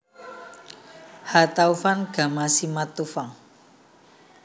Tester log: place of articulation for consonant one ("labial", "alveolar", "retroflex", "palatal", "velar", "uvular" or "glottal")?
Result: glottal